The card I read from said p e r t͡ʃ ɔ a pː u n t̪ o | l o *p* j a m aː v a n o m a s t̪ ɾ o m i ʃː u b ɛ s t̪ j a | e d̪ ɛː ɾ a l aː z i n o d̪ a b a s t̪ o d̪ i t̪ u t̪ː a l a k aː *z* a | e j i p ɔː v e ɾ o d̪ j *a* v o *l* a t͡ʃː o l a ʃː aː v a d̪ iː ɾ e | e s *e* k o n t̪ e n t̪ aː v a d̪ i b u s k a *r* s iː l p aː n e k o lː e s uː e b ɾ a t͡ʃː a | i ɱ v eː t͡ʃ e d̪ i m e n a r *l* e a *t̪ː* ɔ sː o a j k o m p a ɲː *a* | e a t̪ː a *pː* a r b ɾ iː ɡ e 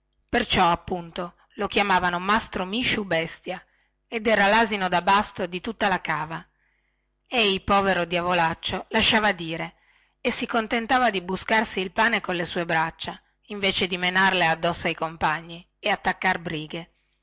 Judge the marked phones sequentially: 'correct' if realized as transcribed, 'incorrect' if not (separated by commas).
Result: incorrect, incorrect, correct, correct, incorrect, correct, correct, incorrect, incorrect, incorrect